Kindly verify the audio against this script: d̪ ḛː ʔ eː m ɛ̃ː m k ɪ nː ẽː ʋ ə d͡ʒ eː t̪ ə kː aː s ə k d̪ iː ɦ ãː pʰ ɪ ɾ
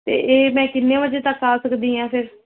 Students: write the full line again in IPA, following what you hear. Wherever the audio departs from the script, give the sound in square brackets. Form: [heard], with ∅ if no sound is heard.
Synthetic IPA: [t̪] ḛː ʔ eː m ɛ̃ː [∅] k ɪ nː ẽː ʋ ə d͡ʒ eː t̪ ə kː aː s ə k d̪ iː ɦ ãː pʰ ɪ ɾ